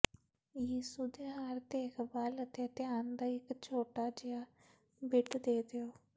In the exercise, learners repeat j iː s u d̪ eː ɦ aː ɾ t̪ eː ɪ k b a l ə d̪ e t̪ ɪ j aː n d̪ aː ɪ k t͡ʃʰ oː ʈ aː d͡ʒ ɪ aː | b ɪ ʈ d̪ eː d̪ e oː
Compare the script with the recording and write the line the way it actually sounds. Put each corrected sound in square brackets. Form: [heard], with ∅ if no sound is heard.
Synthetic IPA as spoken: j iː s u d̪ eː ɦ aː ɾ t̪ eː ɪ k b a l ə [t̪] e t̪ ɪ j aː n d̪ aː ɪ k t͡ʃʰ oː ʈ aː d͡ʒ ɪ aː | b ɪ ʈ d̪ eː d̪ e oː